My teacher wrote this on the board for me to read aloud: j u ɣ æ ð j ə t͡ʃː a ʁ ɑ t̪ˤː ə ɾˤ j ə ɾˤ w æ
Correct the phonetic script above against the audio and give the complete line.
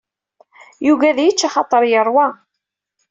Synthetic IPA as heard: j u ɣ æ ð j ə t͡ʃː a χ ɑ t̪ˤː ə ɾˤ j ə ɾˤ w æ